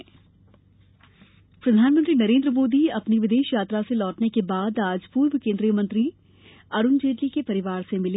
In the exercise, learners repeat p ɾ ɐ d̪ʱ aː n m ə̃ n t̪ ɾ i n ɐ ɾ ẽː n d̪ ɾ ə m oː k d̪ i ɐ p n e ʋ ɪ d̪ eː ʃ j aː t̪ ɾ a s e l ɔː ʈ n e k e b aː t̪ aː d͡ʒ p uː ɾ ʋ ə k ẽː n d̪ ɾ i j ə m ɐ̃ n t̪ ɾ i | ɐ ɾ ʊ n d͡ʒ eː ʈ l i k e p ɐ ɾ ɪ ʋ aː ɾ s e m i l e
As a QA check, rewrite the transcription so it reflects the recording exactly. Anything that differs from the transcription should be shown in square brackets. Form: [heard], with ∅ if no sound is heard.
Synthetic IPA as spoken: p ɾ ɐ d̪ʱ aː n m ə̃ n t̪ ɾ i n ɐ ɾ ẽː n d̪ ɾ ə m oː [∅] d̪ i ɐ p n [i] ʋ ɪ d̪ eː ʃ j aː t̪ ɾ a s e l ɔː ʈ n e k e b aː [d̪] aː d͡ʒ p uː ɾ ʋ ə k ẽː n d̪ ɾ i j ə m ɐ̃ n t̪ ɾ i | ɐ ɾ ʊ n d͡ʒ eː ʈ l i k e p ɐ ɾ ɪ ʋ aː ɾ s e m [ɪ] l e